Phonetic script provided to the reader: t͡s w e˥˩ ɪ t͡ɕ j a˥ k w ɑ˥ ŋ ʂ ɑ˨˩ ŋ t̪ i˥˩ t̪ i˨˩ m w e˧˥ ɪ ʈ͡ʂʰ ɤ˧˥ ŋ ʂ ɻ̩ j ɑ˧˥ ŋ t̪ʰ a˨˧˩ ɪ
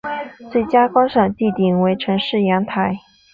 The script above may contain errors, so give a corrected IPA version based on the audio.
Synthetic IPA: t͡s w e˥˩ ɪ t͡ɕ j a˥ k w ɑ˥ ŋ ʂ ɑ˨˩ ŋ t̪ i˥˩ t̪ i˨˩ ŋ w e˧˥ ɪ ʈ͡ʂʰ ɤ˧˥ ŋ ʂ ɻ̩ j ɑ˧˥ ŋ t̪ʰ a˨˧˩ ɪ